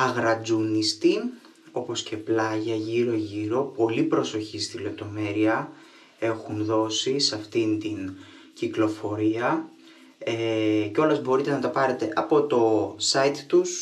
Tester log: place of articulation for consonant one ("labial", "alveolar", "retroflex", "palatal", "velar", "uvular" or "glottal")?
velar